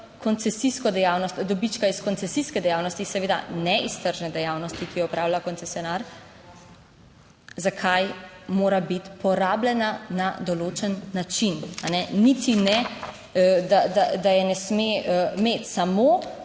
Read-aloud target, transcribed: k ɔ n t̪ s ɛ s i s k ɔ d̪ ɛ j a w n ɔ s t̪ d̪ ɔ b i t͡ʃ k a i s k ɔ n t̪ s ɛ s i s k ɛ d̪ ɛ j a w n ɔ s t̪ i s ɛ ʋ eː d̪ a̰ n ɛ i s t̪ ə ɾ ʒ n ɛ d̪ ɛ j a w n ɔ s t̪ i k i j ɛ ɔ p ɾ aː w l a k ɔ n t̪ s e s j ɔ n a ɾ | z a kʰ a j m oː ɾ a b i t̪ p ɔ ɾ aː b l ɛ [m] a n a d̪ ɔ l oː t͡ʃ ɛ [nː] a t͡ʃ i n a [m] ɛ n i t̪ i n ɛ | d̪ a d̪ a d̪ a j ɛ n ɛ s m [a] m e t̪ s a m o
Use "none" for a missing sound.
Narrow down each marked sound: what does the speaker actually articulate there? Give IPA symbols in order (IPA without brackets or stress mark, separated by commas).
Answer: n, nː, n, e